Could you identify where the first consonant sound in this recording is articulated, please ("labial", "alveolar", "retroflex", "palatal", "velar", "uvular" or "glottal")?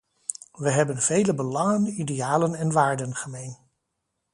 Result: labial